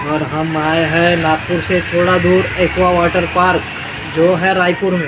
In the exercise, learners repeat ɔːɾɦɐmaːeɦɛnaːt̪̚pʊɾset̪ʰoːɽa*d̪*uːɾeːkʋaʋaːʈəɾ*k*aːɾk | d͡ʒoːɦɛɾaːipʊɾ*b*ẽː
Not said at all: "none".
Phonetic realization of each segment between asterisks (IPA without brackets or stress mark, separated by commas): d̪, p, m